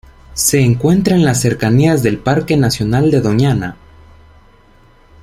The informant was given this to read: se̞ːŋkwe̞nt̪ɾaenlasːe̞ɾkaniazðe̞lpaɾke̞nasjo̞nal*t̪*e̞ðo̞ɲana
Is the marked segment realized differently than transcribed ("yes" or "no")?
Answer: yes